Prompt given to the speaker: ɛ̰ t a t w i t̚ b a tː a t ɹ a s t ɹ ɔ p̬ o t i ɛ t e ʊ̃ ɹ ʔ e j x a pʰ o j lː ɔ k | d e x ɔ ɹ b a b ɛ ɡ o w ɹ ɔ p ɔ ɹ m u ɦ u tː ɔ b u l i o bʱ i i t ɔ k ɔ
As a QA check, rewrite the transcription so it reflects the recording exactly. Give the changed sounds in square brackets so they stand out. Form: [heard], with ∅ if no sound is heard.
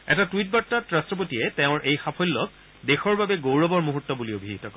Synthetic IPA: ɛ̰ t a t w i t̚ b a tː a t ɹ a s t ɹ ɔ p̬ o t i ɛ t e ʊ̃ ɹ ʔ e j x a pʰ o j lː ɔ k | d e x ɔ ɹ b a b ɛ ɡ o w ɹ ɔ [b] ɔ ɹ m u ɦ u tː ɔ b u l i o bʱ i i t ɔ k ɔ